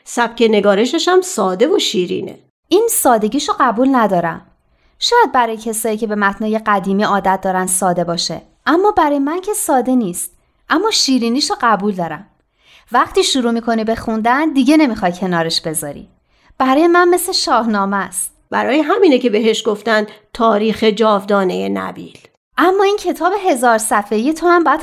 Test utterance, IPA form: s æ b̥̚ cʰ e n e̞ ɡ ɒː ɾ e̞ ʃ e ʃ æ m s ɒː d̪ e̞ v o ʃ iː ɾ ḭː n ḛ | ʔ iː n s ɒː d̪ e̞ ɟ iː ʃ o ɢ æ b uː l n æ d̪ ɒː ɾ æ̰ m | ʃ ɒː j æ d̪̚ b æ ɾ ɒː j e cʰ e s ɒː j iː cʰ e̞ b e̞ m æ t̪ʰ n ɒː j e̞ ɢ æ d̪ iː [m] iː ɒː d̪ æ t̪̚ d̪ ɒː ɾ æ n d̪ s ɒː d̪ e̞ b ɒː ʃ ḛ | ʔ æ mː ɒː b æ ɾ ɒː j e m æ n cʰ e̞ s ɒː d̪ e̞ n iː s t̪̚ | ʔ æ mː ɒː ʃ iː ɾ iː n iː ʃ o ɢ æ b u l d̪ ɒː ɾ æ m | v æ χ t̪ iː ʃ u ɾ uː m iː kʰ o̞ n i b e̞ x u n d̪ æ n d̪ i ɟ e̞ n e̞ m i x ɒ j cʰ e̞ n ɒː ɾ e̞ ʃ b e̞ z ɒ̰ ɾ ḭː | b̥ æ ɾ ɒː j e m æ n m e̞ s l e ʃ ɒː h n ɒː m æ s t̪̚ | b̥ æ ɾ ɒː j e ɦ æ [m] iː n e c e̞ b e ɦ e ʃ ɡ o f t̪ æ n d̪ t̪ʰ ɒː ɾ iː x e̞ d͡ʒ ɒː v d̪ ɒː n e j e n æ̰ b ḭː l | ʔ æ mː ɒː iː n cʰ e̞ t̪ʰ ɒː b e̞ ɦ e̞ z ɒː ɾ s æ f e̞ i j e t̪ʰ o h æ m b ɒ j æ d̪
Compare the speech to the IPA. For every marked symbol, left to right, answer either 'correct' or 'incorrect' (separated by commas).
correct, correct